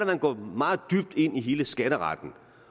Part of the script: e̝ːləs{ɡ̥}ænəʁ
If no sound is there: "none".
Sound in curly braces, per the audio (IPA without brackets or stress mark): ɡ̥